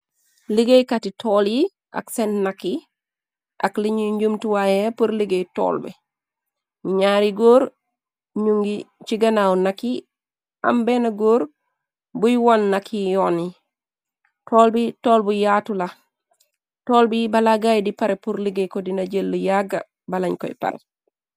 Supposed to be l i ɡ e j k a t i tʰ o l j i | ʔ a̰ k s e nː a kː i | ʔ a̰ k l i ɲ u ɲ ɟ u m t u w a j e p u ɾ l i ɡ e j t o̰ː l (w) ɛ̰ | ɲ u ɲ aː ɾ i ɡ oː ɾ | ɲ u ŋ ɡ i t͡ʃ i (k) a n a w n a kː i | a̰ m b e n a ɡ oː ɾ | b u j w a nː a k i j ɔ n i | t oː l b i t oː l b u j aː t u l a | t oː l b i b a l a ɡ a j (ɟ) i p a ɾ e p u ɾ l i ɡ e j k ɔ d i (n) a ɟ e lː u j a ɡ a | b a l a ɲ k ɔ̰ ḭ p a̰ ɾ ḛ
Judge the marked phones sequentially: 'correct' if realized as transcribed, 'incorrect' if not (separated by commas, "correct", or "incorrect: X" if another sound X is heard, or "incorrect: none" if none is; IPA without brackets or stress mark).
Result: incorrect: b, incorrect: ɡ, incorrect: d, correct